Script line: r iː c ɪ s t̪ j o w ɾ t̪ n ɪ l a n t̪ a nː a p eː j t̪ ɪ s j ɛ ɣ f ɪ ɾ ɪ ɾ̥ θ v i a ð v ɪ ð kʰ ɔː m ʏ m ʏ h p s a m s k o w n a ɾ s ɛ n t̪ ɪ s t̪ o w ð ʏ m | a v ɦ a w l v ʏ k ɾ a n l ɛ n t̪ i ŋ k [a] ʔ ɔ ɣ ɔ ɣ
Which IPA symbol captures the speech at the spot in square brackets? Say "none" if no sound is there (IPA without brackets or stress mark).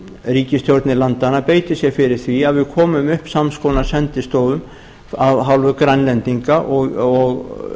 a